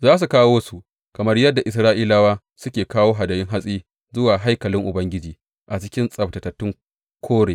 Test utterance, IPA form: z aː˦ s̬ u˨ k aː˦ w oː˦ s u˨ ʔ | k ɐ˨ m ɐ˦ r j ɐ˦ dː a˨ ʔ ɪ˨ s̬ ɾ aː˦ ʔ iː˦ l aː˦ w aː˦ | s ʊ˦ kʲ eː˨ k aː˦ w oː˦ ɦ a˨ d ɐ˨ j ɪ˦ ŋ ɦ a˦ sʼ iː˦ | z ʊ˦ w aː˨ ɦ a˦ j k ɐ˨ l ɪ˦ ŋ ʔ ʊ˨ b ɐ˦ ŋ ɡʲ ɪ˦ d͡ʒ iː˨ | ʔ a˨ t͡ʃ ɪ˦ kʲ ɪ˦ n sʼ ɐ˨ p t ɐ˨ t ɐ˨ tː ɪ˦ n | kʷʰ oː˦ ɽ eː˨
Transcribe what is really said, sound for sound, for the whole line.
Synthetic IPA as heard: z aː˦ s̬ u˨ k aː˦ w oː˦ s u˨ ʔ | k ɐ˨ m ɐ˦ r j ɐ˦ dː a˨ ʔ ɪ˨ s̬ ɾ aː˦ ʔ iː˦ l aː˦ w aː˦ | s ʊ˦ kʲ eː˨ k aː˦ w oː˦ ɦ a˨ d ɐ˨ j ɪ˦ ŋ ɦ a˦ sʼ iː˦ | z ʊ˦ w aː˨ ɦ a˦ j k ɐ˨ l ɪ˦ ŋ ʔ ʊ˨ b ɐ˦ ŋ ɡʲ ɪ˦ d͡ʒ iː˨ | ʔ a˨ t͡ʃ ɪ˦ kʲ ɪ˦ n sʼ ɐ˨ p t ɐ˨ t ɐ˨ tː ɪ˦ ŋ | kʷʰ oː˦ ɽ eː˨